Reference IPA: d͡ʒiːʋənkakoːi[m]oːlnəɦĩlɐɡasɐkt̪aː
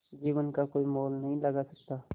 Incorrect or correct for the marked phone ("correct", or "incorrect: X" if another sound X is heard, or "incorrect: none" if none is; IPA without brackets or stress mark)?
correct